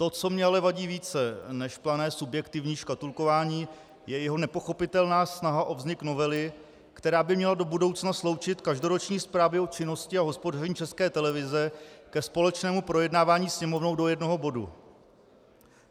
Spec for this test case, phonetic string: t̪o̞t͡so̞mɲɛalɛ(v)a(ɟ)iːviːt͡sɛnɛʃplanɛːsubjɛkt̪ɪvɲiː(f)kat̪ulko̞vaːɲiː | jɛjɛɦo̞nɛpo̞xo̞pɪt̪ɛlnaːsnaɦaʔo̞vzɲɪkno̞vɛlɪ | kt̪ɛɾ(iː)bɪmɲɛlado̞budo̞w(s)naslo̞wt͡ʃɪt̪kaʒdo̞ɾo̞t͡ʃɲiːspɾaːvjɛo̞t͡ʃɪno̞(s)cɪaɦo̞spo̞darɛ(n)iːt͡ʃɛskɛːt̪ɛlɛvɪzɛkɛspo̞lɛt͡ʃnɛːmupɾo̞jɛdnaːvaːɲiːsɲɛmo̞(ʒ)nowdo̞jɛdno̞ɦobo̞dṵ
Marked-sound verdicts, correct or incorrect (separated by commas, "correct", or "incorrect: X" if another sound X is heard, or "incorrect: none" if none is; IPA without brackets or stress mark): correct, correct, incorrect: ʃ, incorrect: aː, incorrect: t͡s, correct, incorrect: ɲ, incorrect: v